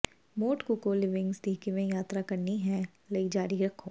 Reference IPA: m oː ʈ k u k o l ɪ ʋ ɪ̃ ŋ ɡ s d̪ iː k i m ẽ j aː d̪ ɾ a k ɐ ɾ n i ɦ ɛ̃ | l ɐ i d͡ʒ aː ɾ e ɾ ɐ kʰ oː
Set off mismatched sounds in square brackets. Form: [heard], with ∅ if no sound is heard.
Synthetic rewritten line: m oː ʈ k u k o l ɪ ʋ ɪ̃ ŋ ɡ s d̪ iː k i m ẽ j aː [t̪] ɾ a k ɐ ɾ n i ɦ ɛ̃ | l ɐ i d͡ʒ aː ɾ [i] ɾ ɐ kʰ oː